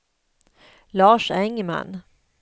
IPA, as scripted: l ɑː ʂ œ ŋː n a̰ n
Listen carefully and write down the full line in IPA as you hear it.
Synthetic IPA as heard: l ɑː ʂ ɛ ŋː m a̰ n